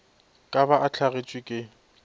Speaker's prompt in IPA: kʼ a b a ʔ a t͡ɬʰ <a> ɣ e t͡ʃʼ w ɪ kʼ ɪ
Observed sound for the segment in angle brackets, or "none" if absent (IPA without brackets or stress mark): a